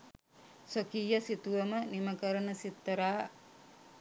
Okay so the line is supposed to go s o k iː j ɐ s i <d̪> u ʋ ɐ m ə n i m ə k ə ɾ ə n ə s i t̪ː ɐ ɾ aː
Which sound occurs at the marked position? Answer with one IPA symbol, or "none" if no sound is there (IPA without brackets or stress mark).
t̪